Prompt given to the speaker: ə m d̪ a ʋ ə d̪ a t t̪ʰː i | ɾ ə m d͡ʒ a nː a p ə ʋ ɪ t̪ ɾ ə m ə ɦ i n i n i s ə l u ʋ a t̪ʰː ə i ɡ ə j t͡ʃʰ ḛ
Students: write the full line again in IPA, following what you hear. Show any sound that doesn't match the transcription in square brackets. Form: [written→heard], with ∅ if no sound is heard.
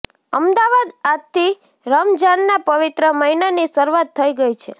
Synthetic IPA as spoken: ə m d̪ a ʋ [ə→a] d̪ a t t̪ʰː i | ɾ ə m d͡ʒ a nː a p ə ʋ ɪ t̪ ɾ ə m ə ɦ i n [i→a] n i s ə [l→ɾ] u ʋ a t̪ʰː ə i ɡ ə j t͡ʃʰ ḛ